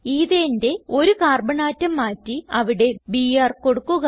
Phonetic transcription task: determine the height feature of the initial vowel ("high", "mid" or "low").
high